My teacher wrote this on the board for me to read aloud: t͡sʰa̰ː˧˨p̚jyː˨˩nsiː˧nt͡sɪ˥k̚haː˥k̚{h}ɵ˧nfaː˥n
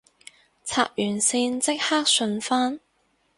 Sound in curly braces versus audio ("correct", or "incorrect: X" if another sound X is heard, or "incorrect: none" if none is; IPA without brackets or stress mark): incorrect: s